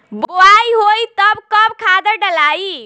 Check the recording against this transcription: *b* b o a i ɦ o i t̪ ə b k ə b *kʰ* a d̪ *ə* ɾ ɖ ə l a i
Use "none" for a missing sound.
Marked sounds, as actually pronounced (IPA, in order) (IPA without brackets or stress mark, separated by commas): b, kʰ, ə